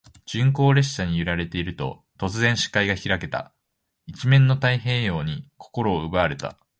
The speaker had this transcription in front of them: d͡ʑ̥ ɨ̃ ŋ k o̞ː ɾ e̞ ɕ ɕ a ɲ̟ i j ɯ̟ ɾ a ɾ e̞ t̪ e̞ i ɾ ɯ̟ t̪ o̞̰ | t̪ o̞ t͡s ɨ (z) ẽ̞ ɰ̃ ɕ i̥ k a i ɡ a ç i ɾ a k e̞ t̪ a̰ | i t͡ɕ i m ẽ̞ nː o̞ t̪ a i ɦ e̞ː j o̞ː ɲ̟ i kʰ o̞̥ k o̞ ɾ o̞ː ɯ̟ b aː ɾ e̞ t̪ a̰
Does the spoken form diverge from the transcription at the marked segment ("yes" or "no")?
no